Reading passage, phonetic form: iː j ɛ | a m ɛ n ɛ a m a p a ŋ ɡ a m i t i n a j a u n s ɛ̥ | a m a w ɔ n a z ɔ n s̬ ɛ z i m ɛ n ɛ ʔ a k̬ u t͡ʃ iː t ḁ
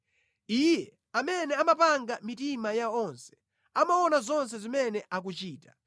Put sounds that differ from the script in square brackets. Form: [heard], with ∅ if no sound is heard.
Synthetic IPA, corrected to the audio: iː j ɛ | a m ɛ n ɛ a m a p a ŋ ɡ a m i t i [m] a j a [ɔ] n s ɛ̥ | a m a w ɔ n a z ɔ n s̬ ɛ z i m ɛ n ɛ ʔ a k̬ u t͡ʃ iː t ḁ

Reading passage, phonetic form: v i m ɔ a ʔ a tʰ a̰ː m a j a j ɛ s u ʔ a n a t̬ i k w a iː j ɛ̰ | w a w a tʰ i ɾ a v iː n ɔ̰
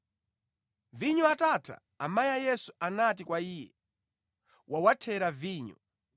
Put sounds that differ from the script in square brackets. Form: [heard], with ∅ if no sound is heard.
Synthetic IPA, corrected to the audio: v i [ɲ] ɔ a [t] a tʰ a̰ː m a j a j ɛ s u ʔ a n a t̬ i k w a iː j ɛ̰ | w a w a tʰ [ɛ] ɾ a v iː [ɲ] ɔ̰

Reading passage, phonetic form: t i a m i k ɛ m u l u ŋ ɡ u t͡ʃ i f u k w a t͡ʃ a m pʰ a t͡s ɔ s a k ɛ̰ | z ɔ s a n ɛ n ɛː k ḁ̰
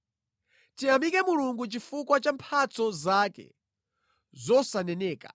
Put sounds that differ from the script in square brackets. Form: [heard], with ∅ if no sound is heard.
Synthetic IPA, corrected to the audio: t i a m i k ɛ m u l u ŋ ɡ u t͡ʃ i f u k w a t͡ʃ a m pʰ a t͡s ɔ [z] a k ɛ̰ | z ɔ s a n ɛ n ɛː k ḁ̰

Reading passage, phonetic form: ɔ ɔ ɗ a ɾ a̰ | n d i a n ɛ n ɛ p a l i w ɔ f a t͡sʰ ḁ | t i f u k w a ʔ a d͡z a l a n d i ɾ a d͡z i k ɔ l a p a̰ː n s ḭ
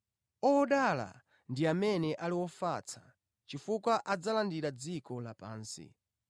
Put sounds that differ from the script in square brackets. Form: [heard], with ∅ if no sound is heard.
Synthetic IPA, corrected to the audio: ɔ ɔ ɗ a [l] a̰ | n d i a [m] ɛ n ɛ [ʔ] a l i w ɔ f a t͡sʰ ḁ | [t͡ʃ] i f u k w a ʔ a d͡z a l a n d i ɾ a d͡z i k ɔ l a p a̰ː n s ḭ

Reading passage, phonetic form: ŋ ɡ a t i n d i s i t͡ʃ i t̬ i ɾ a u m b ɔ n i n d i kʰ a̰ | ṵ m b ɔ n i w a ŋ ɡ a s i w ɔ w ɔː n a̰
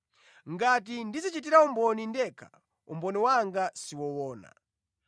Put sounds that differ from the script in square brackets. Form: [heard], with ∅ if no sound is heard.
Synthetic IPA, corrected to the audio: ŋ ɡ a t i n d i [z] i t͡ʃ i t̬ i ɾ a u m b ɔ n i n d [ɛ] kʰ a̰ | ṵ m b ɔ n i w a ŋ ɡ a s i w ɔ w ɔː n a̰

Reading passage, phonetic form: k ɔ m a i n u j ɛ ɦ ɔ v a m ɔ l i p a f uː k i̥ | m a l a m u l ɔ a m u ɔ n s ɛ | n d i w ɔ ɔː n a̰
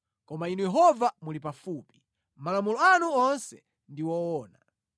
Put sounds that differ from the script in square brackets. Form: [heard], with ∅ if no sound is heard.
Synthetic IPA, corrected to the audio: k ɔ m a i n u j ɛ ɦ ɔ v a m [u] l i p a f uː [p] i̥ | m a l a m u l ɔ a [n] u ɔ n s ɛ | n d i w ɔ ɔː n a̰

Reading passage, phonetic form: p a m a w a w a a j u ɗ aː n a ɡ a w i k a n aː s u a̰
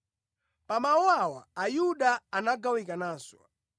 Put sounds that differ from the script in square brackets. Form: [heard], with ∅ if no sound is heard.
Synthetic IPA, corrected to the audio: p a m a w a w a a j u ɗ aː n a ɡ a w i k a n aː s [w] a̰

